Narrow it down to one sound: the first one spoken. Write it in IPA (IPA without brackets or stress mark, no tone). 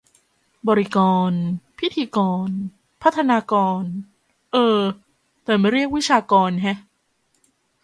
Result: b